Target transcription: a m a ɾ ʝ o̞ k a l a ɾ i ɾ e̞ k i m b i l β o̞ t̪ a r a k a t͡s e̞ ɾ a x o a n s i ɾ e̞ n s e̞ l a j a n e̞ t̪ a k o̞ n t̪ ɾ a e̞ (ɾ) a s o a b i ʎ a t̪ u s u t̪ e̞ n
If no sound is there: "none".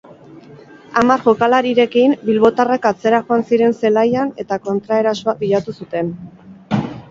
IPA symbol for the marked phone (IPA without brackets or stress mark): ɾ